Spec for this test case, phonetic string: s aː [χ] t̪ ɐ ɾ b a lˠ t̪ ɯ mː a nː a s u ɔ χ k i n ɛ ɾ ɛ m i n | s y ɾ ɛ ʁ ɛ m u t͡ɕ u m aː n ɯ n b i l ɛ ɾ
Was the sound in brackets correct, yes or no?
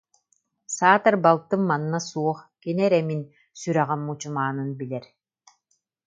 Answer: no